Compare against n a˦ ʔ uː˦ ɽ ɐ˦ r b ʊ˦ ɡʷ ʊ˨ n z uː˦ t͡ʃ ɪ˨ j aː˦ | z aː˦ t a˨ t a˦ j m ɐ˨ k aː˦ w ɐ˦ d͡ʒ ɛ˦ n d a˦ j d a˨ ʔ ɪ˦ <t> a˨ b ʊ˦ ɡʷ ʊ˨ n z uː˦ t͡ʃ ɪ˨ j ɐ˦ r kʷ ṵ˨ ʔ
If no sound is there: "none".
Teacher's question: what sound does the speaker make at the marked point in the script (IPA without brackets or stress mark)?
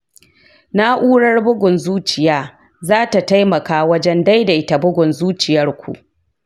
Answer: t